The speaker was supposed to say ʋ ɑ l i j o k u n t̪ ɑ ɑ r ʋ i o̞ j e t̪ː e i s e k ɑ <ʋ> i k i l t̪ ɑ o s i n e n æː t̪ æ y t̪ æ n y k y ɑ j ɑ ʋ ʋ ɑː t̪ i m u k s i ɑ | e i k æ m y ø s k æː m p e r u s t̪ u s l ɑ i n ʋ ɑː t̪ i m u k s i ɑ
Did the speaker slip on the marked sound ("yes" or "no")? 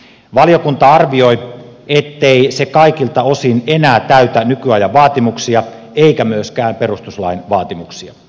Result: yes